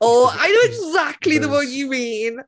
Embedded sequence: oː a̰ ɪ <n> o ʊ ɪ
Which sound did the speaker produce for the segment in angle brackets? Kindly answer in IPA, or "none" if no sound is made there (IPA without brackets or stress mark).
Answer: n